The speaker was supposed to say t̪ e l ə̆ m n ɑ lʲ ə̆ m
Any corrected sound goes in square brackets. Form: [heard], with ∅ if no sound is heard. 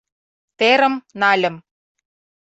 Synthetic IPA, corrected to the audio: t̪ e [ɾ] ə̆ m n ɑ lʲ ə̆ m